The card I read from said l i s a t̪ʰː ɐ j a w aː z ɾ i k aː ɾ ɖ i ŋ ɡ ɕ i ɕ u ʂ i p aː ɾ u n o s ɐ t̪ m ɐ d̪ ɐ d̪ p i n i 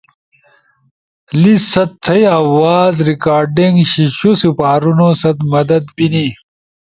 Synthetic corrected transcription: l i s ɐ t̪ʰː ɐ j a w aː z ɾ i k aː ɾ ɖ i ŋ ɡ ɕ i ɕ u s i p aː ɾ u n o s ɐ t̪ m ɐ d̪ ɐ d̪ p i n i

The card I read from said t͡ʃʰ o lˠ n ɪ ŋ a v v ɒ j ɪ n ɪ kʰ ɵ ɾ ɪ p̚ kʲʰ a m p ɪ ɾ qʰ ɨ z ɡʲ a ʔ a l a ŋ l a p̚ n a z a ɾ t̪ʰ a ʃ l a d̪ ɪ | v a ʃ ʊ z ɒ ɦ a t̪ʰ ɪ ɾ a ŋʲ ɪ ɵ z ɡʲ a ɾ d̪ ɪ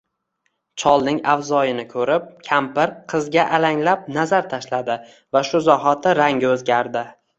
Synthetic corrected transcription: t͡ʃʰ ɒ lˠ n ɪ ŋ a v z ɒ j ɪ n ɪ kʰ ɵ ɾ ɪ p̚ kʲʰ a m p ɪ ɾ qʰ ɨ z ɡʲ a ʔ a l a ŋ l a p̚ n a z a ɾ t̪ʰ a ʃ l a d̪ ɪ | v a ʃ ʊ z ɒ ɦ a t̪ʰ ɪ ɾ a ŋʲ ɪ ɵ z ɡʲ a ɾ d̪ ɪ

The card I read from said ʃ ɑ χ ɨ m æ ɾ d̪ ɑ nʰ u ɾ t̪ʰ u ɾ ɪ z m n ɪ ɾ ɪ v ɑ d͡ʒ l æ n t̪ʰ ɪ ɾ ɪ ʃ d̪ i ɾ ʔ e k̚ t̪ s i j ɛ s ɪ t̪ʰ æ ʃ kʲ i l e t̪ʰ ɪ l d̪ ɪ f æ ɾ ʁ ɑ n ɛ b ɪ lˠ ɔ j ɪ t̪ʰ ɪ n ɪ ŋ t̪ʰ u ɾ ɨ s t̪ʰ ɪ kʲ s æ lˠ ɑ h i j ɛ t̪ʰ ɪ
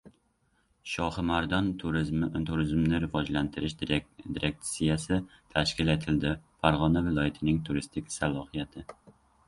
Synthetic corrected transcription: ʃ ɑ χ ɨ m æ ɾ d̪ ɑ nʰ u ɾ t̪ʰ u ɾ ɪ z m n ɪ ɾ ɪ v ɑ d͡ʒ l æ n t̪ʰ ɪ ɾ ɪ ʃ d̪ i ɾ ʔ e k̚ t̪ s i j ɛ s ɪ t̪ʰ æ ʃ kʲ i l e t̪ʰ ɪ l d̪ ɪ f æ ɾ ʁ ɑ n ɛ v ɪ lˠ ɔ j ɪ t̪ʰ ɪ n ɪ ŋ t̪ʰ u ɾ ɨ s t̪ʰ ɪ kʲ s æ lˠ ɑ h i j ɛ t̪ʰ ɪ

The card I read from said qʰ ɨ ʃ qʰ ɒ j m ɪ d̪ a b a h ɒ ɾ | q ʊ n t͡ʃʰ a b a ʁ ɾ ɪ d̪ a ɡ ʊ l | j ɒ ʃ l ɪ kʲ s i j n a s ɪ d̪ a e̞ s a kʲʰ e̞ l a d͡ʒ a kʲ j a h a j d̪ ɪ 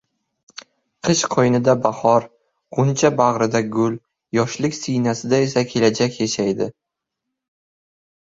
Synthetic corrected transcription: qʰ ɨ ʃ qʰ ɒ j n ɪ d̪ a b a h ɒ ɾ | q ʊ n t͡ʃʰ a b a ʁ ɾ ɪ d̪ a ɡ ʊ l | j ɒ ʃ l ɪ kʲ s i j n a s ɪ d̪ a e̞ s a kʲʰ e̞ l a d͡ʒ a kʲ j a ʃ a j d̪ ɪ

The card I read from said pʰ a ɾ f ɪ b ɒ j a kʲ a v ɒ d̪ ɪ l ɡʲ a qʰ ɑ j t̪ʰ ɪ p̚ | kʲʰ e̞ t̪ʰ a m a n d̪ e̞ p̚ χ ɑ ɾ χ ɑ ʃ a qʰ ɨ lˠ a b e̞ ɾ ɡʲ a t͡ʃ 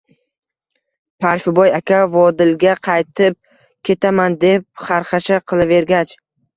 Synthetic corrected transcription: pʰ a ɾ f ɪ b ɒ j a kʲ a v ɒ d̪ ɪ l ɡʲ a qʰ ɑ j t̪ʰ ɪ p̚ | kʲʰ e̞ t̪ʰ a m a n d̪ e̞ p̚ χ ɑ ɾ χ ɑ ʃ a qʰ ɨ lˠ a v e̞ ɾ ɡʲ a t͡ʃ

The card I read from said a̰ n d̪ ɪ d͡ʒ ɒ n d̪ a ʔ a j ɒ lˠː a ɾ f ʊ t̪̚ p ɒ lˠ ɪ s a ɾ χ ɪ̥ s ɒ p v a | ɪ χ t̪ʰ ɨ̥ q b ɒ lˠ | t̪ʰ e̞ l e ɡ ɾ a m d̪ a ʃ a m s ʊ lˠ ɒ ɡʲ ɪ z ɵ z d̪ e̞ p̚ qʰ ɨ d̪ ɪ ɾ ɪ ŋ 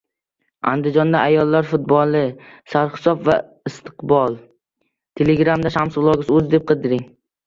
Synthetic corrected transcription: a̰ n d̪ ɪ d͡ʒ ɒ n d̪ a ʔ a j ɒ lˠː a ɾ f ʊ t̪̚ b ɒ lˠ ɪ s a ɾ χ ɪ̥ s ɒ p v a | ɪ s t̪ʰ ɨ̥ q b ɒ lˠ | t̪ʰ e̞ l e ɡ ɾ a m d̪ a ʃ a m s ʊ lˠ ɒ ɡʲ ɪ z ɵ z d̪ e̞ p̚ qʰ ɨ d̪ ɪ ɾ ɪ ŋ

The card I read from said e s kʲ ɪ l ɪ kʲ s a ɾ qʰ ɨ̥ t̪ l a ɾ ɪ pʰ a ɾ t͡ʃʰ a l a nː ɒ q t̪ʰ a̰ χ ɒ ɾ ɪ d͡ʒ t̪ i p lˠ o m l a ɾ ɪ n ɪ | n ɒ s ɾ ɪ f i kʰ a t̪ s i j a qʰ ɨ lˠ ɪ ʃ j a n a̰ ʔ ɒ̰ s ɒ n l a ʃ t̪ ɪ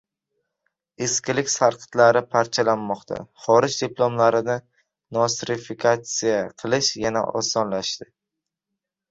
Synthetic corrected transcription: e s kʲ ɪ l ɪ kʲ s a ɾ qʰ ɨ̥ t̪ l a ɾ ɪ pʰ a ɾ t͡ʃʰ a l a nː ɒ q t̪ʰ a̰ χ ɒ ɾ ɪ d͡ʒ d̪ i p lˠ o m l a ɾ ɪ n ɪ | n ɒ s ɾ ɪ f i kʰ a t̪ s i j a qʰ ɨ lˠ ɪ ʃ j a n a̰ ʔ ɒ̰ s ɒ n l a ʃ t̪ ɪ

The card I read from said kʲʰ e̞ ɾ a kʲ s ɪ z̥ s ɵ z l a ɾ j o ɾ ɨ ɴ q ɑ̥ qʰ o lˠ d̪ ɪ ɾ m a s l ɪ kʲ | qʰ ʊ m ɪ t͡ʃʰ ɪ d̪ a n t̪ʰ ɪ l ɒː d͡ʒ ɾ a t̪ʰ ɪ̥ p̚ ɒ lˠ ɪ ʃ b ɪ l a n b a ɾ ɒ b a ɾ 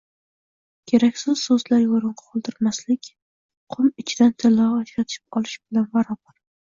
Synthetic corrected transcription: kʲʰ e̞ ɾ a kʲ s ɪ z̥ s ɵ z l a ɾ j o ɾ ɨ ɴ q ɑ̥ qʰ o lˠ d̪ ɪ ɾ m a s l ɪ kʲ | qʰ ʊ m ɪ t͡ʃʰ ɪ d̪ a n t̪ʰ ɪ l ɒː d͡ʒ ɾ a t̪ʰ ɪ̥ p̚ ɒ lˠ ɪ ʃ b ɪ l a n b a ɾ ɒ b a ɾ

